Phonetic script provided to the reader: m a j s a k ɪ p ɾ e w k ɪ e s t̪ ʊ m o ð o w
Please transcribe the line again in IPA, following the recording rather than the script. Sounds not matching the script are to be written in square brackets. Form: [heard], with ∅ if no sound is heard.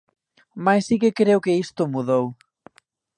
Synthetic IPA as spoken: m a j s [i] k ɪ [k] ɾ e w k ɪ [i] s t̪ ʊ m [u] ð o w